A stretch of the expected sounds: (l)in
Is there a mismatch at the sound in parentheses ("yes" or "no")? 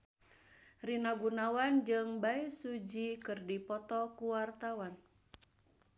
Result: yes